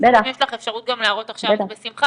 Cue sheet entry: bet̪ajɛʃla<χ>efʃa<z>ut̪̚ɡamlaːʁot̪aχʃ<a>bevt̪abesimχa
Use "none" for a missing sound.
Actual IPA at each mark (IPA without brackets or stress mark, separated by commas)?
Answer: χ, ʁ, a